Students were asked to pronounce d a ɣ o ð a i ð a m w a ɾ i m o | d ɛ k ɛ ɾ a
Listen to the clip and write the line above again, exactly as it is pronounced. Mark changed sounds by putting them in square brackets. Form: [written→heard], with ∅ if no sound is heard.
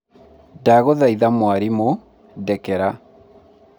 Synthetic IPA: d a ɣ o ð a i ð a m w a ɾ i m o | d ɛ k ɛ ɾ a